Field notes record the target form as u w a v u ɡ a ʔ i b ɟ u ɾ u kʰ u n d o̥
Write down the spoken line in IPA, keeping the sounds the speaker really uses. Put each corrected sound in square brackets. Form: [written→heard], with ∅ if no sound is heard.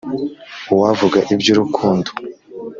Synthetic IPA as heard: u w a v u ɡ a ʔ i b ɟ u ɾ u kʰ [u→uː] n d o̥